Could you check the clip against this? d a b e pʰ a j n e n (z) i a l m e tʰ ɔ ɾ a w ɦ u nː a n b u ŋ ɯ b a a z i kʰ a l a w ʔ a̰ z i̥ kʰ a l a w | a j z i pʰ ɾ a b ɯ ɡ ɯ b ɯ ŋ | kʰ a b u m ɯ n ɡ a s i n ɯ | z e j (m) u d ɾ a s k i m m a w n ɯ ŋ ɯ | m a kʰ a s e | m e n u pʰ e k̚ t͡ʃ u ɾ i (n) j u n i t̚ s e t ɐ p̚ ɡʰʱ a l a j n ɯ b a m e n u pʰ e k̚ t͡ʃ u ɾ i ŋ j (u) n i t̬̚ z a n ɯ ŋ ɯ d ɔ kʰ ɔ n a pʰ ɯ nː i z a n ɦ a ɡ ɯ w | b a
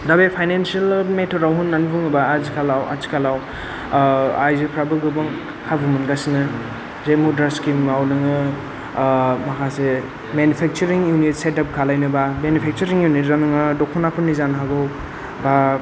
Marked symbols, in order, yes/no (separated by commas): no, yes, no, yes